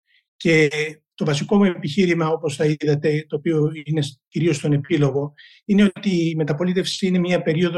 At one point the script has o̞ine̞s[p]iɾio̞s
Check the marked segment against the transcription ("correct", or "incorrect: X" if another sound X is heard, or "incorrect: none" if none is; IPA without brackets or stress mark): incorrect: c